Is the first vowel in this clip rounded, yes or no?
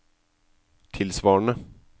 no